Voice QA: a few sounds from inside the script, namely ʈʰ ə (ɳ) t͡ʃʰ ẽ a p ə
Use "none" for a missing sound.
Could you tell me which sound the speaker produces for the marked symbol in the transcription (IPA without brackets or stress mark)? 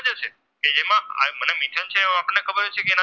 n